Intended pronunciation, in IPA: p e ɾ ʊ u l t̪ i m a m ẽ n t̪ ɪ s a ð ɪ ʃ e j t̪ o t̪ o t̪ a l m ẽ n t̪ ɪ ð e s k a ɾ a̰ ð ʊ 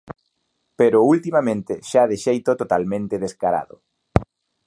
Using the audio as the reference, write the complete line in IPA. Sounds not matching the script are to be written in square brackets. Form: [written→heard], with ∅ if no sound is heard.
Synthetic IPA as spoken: p e ɾ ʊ u l t̪ i m a m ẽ n t̪ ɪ [s→ʃ] a ð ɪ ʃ e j t̪ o t̪ o t̪ a l m ẽ n t̪ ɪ ð e s k a ɾ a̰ ð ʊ